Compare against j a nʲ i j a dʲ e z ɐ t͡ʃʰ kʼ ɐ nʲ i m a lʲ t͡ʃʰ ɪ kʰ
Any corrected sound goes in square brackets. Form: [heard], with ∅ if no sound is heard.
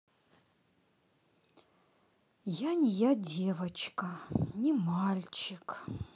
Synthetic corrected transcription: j a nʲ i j a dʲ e [v] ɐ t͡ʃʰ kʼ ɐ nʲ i m a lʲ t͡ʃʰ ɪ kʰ